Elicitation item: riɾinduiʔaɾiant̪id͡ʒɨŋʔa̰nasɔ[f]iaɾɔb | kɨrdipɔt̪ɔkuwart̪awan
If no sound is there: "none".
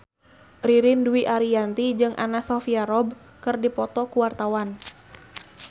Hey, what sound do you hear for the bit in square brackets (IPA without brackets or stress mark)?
f